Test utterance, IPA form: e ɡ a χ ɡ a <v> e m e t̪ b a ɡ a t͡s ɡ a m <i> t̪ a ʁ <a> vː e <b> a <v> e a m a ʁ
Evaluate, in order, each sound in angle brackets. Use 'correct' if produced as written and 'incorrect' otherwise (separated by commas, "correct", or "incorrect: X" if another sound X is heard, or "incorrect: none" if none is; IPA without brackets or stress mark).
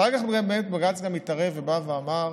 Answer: incorrect: b, correct, incorrect: e, correct, correct